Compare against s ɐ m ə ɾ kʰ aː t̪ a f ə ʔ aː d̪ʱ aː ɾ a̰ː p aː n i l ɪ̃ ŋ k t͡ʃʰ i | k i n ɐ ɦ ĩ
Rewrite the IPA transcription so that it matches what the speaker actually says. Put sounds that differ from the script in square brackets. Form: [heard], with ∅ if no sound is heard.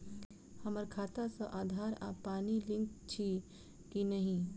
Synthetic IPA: [h] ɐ m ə ɾ kʰ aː t̪ a [s] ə ʔ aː d̪ʱ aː ɾ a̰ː p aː n i l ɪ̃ ŋ k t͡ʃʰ i | k i n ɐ ɦ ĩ